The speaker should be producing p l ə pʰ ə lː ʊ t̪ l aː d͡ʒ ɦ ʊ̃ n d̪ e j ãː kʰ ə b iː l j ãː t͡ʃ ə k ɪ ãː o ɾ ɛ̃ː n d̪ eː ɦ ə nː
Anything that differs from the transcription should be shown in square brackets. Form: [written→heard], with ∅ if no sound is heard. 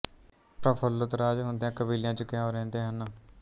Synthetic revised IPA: p [l→ɾ] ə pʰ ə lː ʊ t̪ [l→ɾ] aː d͡ʒ ɦ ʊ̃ n d̪ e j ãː [kʰ→k] ə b iː l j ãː t͡ʃ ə k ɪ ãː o ɾ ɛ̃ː n d̪ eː ɦ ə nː